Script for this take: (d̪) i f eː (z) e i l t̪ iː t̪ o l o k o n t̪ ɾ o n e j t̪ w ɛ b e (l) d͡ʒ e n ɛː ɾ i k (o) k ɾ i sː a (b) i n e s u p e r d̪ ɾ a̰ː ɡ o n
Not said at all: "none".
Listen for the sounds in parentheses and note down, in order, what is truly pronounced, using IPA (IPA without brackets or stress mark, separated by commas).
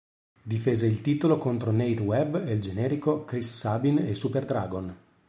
d̪, z, l, o, b